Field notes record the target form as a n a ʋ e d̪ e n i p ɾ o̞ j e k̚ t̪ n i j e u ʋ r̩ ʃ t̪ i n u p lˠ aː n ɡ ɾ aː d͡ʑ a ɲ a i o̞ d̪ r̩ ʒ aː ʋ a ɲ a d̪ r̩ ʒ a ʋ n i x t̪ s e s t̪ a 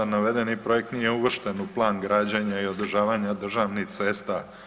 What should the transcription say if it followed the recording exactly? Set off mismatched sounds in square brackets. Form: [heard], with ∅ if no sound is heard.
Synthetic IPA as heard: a n a ʋ e d̪ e n i p ɾ o̞ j e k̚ t̪ n i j e u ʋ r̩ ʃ t̪ [e] n u p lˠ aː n ɡ ɾ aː d͡ʑ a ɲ a i o̞ d̪ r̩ ʒ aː ʋ a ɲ a d̪ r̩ ʒ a ʋ n i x t̪ s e s t̪ a